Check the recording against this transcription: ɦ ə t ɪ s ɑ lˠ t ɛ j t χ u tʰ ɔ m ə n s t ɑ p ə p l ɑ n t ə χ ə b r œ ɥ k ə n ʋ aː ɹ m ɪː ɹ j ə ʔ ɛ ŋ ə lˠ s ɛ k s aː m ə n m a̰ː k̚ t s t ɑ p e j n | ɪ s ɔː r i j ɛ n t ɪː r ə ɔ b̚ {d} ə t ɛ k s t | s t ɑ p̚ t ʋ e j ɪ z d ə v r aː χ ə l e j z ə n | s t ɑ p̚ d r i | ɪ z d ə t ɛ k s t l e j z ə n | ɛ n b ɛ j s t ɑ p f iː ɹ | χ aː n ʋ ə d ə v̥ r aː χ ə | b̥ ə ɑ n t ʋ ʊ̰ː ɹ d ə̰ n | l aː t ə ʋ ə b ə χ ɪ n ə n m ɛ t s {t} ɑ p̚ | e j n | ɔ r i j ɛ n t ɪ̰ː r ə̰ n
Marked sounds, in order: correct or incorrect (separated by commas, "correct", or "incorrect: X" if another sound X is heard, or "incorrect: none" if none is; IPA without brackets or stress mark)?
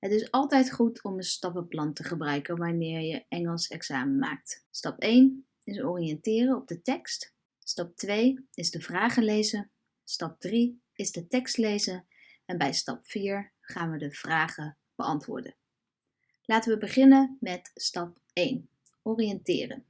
correct, correct